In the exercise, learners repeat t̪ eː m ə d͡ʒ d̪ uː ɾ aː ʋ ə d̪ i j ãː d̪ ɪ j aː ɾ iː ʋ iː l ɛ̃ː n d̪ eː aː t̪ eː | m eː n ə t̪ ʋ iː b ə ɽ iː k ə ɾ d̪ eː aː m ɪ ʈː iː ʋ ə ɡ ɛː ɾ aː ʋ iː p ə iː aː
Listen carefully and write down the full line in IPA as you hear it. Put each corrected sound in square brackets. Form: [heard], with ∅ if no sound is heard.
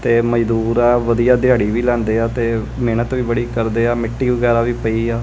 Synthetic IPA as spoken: t̪ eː m ə d͡ʒ d̪ uː ɾ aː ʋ ə d̪ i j [aː] d̪ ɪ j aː [ɽ] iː ʋ iː l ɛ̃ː n d̪ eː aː t̪ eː | m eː n ə t̪ ʋ iː b ə ɽ iː k ə ɾ d̪ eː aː m ɪ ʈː iː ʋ ə ɡ ɛː ɾ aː ʋ iː p ə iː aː